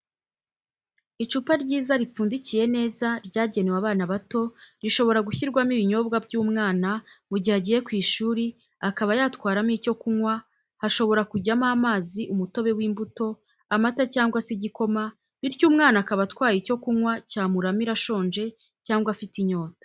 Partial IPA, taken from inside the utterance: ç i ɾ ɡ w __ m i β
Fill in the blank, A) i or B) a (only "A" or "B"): B